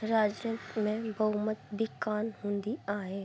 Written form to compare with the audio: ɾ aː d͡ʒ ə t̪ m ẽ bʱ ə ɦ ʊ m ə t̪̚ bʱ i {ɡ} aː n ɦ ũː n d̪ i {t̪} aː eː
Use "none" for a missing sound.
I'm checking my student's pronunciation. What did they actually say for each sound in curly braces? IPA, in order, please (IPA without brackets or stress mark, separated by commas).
k, none